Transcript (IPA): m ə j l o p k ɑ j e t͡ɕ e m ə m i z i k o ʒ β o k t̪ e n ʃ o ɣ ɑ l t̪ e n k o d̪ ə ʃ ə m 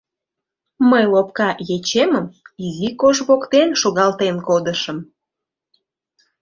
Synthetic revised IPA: m ə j l o p k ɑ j e t͡ɕ e m ə m i z i k o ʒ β o k t̪ e n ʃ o ɣ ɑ l t̪ e n k o d̪ ə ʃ ə m